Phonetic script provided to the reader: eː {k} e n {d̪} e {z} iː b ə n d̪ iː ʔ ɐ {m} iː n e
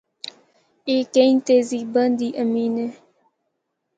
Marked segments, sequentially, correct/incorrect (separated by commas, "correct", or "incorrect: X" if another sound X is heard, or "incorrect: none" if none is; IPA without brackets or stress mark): correct, incorrect: t̪, correct, correct